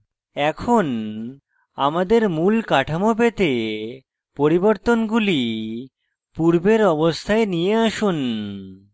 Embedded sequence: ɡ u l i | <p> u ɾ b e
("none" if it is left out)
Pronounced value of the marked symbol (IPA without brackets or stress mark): p